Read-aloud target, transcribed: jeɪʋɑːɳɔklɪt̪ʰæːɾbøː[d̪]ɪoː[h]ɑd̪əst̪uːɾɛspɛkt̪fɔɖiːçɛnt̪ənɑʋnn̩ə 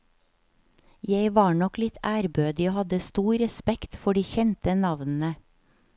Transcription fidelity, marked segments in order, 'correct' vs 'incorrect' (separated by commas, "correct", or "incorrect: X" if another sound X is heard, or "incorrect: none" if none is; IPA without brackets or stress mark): correct, correct